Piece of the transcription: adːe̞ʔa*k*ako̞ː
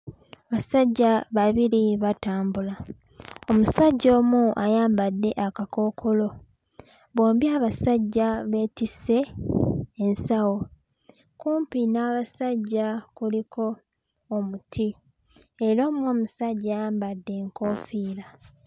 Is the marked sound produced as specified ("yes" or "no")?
yes